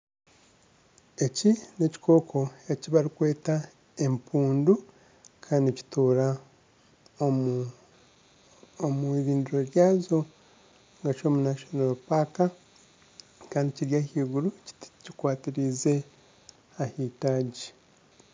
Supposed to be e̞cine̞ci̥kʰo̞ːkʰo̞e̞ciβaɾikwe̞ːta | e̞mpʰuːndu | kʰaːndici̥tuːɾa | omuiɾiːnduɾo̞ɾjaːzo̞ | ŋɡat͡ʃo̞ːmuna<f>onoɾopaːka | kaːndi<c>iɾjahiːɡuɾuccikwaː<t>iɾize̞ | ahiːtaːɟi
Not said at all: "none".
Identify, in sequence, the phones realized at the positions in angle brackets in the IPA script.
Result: ʃ, c, t

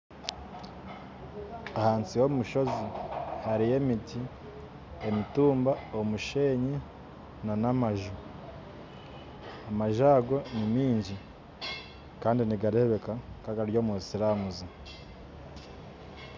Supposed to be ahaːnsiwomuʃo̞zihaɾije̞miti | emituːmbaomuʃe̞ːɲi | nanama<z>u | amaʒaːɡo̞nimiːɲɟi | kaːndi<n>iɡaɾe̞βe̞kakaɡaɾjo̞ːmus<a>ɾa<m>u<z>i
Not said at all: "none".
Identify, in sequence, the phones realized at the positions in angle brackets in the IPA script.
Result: ʒ, n, i, m, z

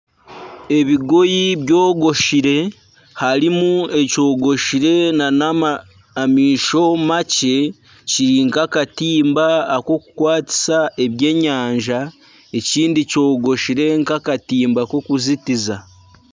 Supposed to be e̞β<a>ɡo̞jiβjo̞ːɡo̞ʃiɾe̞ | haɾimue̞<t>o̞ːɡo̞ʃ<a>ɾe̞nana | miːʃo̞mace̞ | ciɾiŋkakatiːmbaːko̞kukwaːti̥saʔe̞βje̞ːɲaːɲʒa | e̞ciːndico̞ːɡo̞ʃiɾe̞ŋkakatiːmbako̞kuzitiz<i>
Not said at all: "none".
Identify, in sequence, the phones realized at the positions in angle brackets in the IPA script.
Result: i, c, i, a

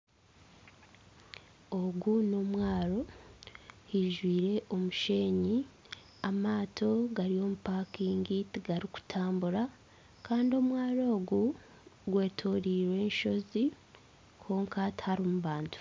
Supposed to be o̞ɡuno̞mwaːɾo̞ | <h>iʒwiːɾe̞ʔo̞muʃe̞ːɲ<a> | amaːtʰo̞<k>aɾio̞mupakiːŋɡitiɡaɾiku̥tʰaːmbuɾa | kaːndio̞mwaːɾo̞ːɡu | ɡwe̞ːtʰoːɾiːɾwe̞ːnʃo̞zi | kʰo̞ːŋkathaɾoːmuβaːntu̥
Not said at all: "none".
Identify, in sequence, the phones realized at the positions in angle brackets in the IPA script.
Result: h, i, ɡ

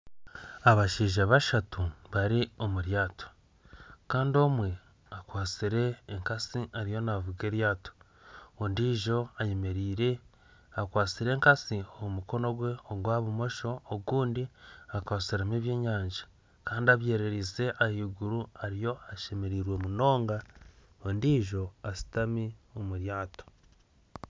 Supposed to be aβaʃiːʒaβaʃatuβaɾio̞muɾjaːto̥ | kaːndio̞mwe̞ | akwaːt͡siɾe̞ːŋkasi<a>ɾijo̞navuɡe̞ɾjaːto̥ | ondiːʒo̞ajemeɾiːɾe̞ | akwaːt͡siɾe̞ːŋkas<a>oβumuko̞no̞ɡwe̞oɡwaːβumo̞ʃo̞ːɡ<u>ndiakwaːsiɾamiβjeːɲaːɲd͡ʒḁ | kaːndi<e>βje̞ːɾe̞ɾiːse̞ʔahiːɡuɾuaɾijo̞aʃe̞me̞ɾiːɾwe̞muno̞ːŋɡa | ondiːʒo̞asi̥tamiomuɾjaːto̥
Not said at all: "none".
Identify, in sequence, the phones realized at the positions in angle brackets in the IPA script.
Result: a, i, uː, a

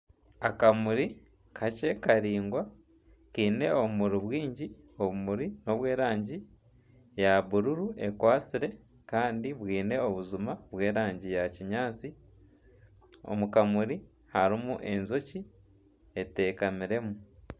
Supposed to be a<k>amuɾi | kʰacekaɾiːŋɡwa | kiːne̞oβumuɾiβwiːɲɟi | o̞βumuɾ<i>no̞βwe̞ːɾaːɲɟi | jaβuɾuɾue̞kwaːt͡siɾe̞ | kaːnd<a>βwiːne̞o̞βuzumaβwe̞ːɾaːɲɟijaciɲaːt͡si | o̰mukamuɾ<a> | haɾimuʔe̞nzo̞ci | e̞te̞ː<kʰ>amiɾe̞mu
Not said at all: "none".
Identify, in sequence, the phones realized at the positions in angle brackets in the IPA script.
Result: k, i, i, i, k

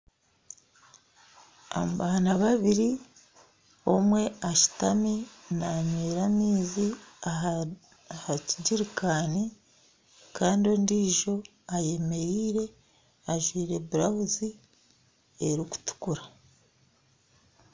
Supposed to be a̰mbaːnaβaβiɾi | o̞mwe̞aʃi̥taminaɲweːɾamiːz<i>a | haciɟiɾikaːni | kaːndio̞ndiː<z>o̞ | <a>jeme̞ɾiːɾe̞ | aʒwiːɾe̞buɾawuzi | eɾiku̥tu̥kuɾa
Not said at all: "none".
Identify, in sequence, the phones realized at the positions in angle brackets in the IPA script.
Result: i, ʒ, a

